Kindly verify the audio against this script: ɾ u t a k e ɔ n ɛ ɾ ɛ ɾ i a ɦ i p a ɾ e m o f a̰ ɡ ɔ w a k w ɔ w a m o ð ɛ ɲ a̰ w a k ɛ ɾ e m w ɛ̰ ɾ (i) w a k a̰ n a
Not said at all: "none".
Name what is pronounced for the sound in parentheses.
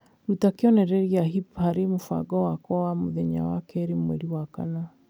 i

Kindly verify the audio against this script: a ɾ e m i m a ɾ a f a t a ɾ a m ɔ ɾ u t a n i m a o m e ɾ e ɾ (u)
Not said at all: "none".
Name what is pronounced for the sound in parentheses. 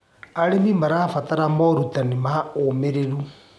u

